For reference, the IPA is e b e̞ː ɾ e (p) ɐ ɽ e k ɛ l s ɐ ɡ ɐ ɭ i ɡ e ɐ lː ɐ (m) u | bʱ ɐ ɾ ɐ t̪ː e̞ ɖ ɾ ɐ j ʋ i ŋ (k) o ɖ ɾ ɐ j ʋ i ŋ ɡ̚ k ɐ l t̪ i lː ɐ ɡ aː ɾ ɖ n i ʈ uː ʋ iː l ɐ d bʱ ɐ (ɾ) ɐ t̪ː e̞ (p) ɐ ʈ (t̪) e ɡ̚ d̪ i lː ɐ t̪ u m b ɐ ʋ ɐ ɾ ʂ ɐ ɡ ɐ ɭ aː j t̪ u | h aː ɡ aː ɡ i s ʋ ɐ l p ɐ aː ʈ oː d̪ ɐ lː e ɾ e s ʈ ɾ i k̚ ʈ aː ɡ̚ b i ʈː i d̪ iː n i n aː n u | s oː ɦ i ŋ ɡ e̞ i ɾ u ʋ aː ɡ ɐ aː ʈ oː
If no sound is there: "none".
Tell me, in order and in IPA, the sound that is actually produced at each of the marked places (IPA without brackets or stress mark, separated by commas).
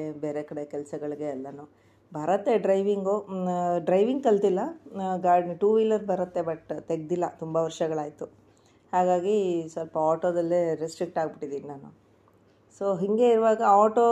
k, n, ɡ, ɾ, b, t̪